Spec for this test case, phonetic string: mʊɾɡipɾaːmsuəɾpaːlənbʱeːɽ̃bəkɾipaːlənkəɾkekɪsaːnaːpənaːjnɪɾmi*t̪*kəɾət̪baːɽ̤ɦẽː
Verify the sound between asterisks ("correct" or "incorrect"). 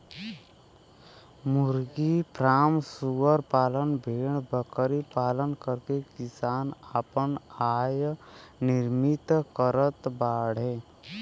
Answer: correct